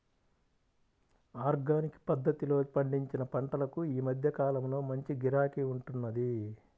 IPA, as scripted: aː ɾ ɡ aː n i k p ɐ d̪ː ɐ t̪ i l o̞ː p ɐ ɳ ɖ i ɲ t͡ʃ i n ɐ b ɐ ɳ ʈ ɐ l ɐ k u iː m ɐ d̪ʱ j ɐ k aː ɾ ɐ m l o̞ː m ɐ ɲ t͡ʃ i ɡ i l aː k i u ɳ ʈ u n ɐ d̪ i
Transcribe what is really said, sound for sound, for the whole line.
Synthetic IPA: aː ɾ ɡ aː n i k p ɐ d̪ː ɐ t̪ i l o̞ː p ɐ ɳ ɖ i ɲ t͡ʃ i n ɐ p ɐ ɳ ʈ ɐ l ɐ k u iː m ɐ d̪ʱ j ɐ k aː l ɐ m l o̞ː m ɐ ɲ t͡ʃ i ɡ i ɾ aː k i u ɳ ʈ u nː ɐ d̪ i